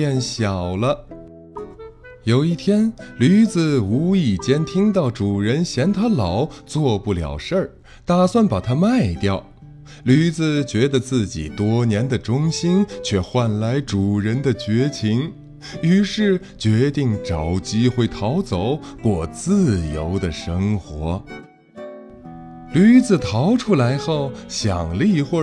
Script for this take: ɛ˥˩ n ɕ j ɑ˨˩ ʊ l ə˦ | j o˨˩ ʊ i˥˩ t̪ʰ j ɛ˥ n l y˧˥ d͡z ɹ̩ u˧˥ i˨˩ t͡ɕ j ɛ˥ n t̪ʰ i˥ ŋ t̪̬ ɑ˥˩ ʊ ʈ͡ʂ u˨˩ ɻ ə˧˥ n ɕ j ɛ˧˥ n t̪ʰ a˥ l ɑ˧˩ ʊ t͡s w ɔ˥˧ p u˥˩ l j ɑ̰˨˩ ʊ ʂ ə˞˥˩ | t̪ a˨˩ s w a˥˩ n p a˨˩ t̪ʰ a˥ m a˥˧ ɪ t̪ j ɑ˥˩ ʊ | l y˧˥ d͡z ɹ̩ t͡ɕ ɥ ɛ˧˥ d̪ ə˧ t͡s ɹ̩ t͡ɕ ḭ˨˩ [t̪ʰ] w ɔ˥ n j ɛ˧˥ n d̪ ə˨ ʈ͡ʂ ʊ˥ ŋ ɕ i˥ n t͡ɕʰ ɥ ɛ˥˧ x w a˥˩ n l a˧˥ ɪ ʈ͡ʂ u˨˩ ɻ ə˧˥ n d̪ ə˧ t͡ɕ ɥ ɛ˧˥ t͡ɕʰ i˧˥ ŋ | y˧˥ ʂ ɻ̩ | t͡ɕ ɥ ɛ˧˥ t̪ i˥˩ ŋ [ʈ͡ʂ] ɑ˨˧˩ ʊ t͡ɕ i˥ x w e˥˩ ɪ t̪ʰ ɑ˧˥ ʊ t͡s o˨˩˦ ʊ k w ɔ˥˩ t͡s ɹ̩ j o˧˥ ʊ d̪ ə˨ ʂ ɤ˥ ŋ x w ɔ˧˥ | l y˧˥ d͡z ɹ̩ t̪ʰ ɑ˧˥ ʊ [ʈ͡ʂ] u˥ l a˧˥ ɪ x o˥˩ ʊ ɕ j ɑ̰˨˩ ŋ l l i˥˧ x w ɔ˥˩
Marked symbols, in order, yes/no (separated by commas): no, yes, no